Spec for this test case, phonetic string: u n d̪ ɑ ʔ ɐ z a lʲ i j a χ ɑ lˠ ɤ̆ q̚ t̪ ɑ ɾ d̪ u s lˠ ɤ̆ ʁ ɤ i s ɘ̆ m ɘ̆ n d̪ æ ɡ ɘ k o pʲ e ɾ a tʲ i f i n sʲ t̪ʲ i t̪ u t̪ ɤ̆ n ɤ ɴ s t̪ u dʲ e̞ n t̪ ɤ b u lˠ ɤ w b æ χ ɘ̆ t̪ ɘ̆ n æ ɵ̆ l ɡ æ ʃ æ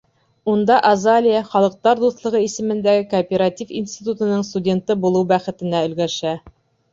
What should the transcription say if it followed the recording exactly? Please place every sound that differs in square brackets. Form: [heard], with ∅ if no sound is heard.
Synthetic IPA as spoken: u n d̪ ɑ ʔ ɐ z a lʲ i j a χ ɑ lˠ ɤ̆ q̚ t̪ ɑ ɾ d̪ u [θ] lˠ ɤ̆ ʁ ɤ i s ɘ̆ m ɘ̆ n d̪ æ ɡ ɘ k o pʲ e ɾ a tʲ i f i n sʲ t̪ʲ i t̪ u t̪ ɤ̆ n ɤ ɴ s t̪ u dʲ e̞ n t̪ ɤ b u lˠ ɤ w b æ χ ɘ̆ t̪ ɘ̆ n æ ɵ̆ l ɡ æ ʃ æ

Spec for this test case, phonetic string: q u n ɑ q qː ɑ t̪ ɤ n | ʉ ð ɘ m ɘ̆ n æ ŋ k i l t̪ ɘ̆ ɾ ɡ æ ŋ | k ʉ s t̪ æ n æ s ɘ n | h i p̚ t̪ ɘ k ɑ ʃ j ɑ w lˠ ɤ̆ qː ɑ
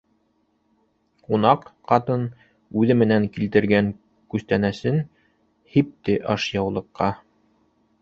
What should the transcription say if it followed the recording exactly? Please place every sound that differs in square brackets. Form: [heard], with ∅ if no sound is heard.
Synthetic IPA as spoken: q u n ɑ q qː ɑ t̪ ɤ n | ʉ ð ɘ m ɘ̆ n æ ŋ k i l t̪ ɘ̆ ɾ ɡ æ ŋ | k ʉ s t̪ æ n æ s ɘ n | h i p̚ t̪ ɘ [ʔ] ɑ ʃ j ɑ w lˠ ɤ̆ qː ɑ

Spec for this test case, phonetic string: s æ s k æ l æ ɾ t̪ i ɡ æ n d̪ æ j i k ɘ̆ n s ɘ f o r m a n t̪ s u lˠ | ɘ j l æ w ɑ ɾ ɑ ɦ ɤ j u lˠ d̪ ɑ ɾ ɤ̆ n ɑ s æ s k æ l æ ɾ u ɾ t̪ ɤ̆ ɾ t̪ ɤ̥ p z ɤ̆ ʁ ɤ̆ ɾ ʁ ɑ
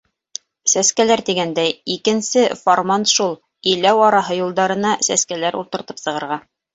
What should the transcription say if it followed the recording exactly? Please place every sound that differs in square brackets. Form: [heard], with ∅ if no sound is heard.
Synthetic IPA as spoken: s æ s k æ l æ ɾ t̪ i ɡ æ n d̪ æ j i k ɘ̆ n s ɘ f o r m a n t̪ [ʃ] u lˠ | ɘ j l æ w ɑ ɾ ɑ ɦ ɤ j u lˠ d̪ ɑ ɾ ɤ̆ n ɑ s æ s k æ l æ ɾ u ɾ t̪ ɤ̆ ɾ t̪ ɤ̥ p [s] ɤ̆ ʁ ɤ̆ ɾ ʁ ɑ

